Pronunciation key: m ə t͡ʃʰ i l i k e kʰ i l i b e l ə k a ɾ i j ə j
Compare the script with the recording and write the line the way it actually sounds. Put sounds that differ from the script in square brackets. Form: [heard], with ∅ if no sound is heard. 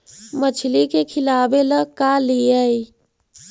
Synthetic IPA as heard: m ə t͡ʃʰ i l i k e kʰ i l [a] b e l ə k a [l] i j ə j